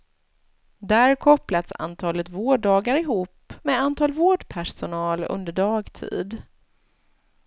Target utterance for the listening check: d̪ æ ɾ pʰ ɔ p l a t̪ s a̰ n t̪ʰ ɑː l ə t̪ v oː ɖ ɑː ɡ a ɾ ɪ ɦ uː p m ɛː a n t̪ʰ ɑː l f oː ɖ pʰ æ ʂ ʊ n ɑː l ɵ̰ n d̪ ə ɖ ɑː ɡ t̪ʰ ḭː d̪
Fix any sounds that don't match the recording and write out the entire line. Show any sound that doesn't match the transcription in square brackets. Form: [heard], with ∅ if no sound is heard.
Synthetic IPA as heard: d̪ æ ɾ [kʰ] ɔ p l a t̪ s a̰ n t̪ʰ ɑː l ə t̪ v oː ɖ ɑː ɡ a ɾ ɪ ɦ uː p m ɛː a n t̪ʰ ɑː l [v] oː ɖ pʰ æ ʂ ʊ n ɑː l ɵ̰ n d̪ ə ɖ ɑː ɡ t̪ʰ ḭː d̪